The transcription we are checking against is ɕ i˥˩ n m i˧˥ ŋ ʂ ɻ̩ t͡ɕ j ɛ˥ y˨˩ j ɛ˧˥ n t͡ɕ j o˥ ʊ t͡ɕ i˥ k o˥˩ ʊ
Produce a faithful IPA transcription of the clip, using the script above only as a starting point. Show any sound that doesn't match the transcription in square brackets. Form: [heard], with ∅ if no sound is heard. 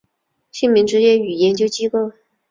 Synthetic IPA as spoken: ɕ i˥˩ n m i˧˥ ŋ [ʈ͡ʂ] ɻ̩ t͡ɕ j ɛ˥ y˨˩ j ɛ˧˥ n t͡ɕ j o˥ ʊ t͡ɕ i˥ k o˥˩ ʊ